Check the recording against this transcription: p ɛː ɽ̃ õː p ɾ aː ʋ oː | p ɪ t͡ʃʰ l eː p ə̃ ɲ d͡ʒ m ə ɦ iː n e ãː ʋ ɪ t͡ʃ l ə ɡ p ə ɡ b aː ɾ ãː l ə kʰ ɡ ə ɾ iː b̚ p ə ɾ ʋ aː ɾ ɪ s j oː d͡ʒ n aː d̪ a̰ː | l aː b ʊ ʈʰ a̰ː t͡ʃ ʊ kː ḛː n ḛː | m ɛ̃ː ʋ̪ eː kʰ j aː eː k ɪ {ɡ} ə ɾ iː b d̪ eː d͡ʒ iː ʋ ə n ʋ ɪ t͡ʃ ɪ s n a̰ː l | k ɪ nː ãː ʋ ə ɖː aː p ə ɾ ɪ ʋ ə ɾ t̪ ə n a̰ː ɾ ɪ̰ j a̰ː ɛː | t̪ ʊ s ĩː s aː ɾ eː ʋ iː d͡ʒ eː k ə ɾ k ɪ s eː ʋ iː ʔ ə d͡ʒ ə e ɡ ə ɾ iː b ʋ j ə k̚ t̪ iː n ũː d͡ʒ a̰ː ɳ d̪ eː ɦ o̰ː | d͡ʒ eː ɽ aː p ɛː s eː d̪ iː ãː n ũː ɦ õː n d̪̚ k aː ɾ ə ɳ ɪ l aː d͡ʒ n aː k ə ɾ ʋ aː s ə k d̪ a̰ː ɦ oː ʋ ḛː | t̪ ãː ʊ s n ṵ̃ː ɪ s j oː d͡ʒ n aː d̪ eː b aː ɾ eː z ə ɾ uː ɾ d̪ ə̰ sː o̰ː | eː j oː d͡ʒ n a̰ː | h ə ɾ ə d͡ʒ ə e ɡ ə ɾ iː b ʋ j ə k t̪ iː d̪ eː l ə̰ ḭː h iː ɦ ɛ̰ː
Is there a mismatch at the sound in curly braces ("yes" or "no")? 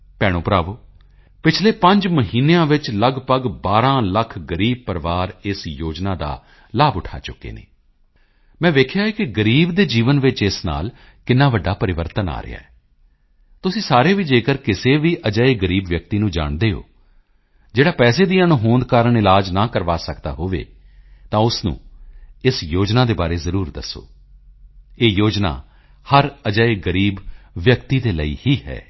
no